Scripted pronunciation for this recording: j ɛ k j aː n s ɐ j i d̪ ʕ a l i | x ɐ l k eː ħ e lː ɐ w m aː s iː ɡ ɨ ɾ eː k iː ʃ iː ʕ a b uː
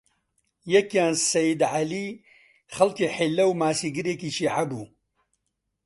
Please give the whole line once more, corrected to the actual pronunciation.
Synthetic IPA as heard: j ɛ k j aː n s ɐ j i d̪ ʕ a l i | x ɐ l k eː ħ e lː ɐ w m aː s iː ɡ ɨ ɾ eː k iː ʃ iː ʕ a b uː